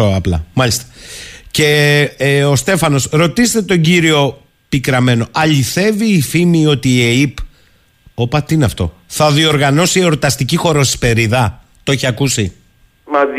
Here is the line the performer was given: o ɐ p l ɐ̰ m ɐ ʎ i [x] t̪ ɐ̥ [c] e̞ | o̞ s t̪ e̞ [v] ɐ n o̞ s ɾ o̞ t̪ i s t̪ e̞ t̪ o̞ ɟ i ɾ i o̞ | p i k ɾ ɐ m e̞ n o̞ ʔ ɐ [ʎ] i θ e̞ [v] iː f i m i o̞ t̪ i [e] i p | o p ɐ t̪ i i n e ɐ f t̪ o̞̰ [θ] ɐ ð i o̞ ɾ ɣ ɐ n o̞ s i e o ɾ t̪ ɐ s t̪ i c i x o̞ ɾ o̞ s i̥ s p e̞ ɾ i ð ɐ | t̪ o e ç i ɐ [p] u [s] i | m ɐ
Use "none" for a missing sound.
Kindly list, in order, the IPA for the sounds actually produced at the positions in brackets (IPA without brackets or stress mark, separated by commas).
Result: s, c, f, ʎ, v, e, θ, k, s